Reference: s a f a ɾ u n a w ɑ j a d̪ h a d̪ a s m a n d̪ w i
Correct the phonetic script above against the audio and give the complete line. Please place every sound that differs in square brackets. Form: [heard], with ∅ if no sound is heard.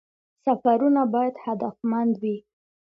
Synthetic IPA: s a f a ɾ u n a [b] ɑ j a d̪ h a d̪ a [f] m a n d̪ w i